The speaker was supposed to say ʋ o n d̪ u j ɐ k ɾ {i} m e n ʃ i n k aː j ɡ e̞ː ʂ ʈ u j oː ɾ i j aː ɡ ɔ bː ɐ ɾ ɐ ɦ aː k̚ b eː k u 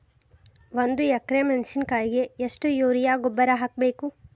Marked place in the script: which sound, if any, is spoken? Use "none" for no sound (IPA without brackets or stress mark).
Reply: e